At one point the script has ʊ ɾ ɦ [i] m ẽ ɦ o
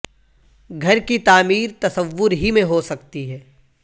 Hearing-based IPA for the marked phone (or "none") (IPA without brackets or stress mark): i